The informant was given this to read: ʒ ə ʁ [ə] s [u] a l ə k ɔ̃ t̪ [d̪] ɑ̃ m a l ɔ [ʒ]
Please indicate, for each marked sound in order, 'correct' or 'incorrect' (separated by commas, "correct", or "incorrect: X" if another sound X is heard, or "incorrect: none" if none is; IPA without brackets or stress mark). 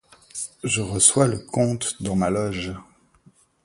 correct, incorrect: w, correct, correct